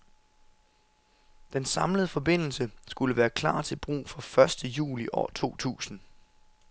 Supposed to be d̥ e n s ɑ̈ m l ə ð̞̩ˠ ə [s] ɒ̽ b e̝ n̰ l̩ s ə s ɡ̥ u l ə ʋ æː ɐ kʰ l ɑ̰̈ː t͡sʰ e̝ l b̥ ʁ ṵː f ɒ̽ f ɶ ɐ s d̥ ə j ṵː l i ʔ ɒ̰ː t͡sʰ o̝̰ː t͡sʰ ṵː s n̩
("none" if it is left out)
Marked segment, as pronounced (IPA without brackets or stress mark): f